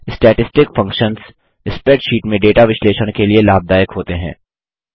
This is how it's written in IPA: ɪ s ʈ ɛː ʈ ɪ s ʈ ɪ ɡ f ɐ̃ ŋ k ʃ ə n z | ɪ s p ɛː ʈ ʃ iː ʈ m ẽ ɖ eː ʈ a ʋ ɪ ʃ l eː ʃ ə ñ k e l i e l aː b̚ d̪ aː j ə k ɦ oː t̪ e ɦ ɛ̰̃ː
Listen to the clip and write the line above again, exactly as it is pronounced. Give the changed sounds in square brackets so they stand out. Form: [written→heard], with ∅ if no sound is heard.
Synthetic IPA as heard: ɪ s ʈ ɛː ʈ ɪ s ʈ ɪ [ɡ→k] f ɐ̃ ŋ k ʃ ə n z | ɪ s p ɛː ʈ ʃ iː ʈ m ẽ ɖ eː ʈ a ʋ ɪ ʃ l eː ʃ ə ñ k e l i e l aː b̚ d̪ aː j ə k ɦ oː t̪ e ɦ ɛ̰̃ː